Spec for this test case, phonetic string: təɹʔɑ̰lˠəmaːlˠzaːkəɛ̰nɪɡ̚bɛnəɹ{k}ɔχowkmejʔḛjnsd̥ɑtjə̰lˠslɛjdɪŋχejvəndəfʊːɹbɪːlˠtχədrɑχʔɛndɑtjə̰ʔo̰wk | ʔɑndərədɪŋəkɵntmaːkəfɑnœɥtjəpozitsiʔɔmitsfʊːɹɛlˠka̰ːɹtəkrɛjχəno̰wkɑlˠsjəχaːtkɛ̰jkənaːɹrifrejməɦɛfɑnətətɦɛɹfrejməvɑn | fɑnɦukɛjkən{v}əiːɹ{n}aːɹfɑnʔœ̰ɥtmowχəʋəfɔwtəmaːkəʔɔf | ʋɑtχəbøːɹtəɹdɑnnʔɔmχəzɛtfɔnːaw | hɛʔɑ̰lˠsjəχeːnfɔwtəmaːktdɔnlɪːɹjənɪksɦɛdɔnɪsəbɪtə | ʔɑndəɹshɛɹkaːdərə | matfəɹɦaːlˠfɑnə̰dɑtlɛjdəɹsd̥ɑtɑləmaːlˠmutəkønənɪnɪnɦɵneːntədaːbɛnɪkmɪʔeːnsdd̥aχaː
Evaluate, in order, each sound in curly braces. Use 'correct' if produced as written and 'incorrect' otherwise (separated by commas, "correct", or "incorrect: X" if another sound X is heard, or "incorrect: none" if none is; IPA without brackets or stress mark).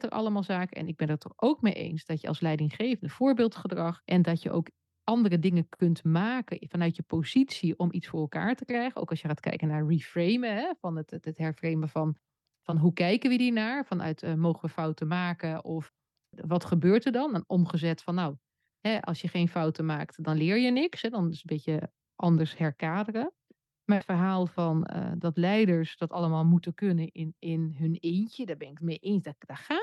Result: incorrect: t, incorrect: ʋ, correct